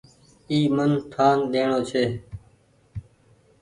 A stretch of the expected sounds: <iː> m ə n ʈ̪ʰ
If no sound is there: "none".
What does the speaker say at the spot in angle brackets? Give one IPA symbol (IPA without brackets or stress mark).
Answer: iː